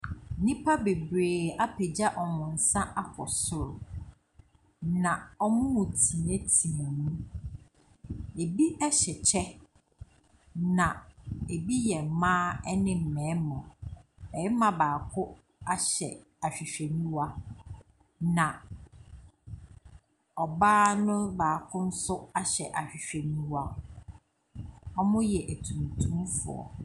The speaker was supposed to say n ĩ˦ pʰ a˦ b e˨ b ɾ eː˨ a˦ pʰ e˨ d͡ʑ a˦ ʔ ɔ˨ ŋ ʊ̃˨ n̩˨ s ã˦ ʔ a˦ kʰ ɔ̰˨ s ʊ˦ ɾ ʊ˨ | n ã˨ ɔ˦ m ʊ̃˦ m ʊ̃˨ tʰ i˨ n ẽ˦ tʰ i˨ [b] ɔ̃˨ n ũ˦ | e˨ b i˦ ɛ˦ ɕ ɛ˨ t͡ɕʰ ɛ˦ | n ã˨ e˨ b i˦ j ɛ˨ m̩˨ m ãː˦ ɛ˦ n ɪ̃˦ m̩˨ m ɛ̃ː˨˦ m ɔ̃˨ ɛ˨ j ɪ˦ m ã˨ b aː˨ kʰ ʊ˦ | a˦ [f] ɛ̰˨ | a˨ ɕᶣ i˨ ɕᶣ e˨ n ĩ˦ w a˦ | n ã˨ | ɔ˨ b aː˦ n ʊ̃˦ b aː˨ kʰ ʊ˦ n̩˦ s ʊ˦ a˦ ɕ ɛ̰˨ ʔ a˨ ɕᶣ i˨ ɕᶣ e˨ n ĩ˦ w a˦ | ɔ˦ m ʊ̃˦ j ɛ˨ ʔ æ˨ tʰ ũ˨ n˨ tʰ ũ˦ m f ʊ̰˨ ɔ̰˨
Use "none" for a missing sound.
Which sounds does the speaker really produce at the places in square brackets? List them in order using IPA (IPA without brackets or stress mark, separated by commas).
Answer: m, ɕ